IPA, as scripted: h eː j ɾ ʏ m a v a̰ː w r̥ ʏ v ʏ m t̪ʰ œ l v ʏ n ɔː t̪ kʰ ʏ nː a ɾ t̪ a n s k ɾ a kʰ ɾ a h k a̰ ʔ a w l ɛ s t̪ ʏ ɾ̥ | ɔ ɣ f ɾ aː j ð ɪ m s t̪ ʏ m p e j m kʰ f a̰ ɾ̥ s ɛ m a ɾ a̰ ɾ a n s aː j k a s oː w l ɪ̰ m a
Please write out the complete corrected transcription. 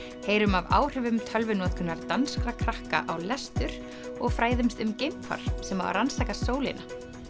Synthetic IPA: h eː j ɾ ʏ m a v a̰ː w r̥ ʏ v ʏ m t̪ʰ œ l v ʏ n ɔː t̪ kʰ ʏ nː a ɾ t̪ a n s k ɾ a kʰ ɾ a h k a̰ ʔ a w l ɛ s t̪ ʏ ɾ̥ | ɔ ɣ f ɾ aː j ð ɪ m s t̪ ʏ m c e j m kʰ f a̰ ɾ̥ s ɛ m a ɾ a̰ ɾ a n s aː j k a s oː w l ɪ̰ n a